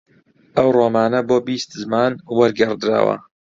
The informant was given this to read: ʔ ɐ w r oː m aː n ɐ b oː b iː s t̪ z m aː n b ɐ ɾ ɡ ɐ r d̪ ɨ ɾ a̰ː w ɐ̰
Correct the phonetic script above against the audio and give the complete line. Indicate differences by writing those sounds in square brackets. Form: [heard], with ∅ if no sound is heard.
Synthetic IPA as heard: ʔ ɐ w r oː m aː n ɐ b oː b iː s t̪ z m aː n [w] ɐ ɾ ɡ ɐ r d̪ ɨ ɾ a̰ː w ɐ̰